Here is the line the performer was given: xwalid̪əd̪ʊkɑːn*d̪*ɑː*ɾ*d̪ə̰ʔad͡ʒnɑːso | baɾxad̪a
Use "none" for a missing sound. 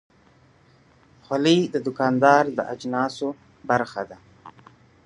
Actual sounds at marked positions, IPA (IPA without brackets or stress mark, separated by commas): d̪, ɾ